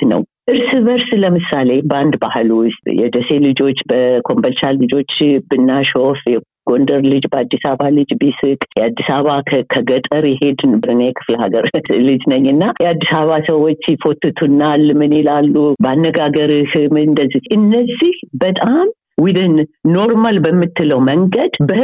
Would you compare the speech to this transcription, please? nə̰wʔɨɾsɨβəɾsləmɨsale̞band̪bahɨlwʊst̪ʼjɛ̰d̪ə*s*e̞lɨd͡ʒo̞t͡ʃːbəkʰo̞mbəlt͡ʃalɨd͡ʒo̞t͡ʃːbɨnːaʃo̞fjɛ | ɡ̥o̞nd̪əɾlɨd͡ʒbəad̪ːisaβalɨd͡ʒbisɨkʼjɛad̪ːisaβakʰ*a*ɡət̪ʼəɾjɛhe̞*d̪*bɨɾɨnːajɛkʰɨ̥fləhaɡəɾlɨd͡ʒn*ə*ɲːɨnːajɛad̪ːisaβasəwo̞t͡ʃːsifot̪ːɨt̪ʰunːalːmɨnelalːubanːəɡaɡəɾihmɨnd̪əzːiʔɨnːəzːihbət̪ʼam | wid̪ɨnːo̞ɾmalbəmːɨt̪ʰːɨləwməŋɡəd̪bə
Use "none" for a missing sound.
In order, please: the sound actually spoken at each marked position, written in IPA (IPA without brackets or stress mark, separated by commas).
s, ə, d̪, ə